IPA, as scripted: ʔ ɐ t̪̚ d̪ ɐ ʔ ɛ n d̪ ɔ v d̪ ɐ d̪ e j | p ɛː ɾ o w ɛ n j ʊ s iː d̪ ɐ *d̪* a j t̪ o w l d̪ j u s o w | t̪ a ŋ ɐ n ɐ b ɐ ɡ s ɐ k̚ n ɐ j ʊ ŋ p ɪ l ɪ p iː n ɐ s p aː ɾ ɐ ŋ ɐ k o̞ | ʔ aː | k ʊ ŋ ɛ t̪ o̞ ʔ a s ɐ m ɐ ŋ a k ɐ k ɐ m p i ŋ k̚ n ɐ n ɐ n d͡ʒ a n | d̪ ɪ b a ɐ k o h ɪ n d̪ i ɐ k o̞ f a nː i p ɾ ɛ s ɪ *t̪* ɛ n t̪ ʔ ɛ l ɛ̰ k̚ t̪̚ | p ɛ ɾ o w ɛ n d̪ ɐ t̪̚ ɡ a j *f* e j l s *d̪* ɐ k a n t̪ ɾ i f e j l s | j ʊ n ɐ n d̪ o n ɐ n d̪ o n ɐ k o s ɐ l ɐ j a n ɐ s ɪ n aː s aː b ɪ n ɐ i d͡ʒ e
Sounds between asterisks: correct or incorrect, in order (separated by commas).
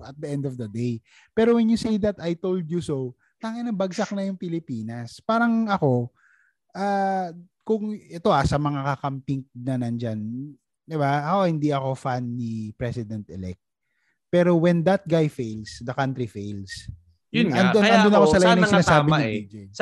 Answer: incorrect, incorrect, correct, correct